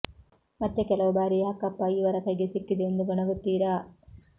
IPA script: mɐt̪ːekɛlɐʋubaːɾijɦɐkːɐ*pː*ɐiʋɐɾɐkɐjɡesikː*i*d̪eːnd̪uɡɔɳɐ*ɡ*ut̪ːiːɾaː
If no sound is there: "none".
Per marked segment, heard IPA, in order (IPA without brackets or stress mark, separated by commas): pː, i, ɡ